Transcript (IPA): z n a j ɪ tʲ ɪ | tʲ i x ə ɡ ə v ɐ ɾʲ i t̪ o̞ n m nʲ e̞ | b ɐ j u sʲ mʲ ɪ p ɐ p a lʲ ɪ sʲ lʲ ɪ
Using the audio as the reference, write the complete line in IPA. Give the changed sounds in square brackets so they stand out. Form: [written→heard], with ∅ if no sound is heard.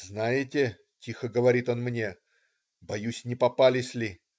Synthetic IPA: z n a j ɪ tʲ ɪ | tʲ i x ə ɡ ə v ɐ ɾʲ i t̪ o̞ n m nʲ e̞ | b ɐ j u sʲ [mʲ→nʲ] ɪ p ɐ p a lʲ ɪ sʲ lʲ ɪ